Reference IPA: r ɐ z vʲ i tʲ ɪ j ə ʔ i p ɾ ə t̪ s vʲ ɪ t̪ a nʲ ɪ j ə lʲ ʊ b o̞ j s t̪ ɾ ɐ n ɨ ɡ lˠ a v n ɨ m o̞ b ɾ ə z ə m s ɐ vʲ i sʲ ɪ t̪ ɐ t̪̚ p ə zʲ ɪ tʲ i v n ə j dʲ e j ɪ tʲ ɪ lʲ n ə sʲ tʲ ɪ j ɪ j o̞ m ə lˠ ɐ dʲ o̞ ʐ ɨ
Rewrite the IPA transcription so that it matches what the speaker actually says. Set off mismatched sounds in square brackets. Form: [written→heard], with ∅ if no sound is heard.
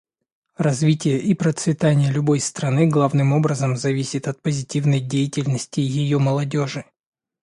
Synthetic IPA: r ɐ z vʲ i tʲ ɪ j ə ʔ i p ɾ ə t̪ s vʲ ɪ t̪ a nʲ ɪ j ə lʲ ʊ b o̞ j s t̪ ɾ ɐ n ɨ ɡ lˠ a v n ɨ m o̞ b ɾ ə z ə m [s→z] ɐ vʲ i sʲ ɪ t̪ ɐ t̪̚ p ə zʲ ɪ tʲ i v n ə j dʲ e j ɪ tʲ ɪ lʲ n ə sʲ tʲ ɪ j ɪ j o̞ m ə lˠ ɐ dʲ o̞ ʐ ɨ